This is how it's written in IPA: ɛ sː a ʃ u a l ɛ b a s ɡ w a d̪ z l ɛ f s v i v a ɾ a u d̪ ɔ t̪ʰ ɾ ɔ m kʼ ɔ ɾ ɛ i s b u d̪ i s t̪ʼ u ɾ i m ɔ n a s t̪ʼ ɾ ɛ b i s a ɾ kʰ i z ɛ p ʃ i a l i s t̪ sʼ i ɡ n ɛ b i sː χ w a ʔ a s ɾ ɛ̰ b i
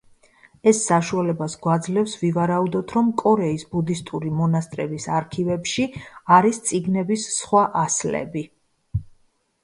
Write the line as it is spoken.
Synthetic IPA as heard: ɛ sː a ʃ u a l ɛ b a s ɡ w a d̪ z l ɛ f s v i v a ɾ a u d̪ ɔ t̪ʰ ɾ ɔ m kʼ ɔ ɾ ɛ i s b u d̪ i s t̪ʼ u ɾ i m ɔ n a s t̪ʼ ɾ ɛ b i s a ɾ kʰ i v ɛ p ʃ i a ɾ i s t̪ sʼ i ɡ n ɛ b i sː χ w a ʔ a s l ɛ̰ b i